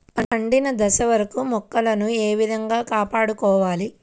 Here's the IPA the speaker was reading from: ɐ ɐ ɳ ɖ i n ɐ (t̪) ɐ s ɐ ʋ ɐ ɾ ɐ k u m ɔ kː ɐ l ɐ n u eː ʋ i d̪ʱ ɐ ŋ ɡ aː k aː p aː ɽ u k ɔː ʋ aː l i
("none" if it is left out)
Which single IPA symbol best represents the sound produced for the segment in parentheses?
d̪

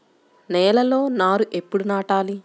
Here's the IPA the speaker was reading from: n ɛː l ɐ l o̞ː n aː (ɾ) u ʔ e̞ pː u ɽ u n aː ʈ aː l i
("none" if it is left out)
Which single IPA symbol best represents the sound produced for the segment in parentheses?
ɾ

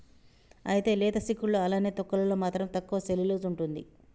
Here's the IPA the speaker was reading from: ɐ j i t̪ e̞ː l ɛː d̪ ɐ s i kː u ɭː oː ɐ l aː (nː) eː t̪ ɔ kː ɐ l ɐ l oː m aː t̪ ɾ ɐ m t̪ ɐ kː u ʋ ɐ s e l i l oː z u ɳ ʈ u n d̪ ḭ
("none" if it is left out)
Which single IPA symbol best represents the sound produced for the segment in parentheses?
n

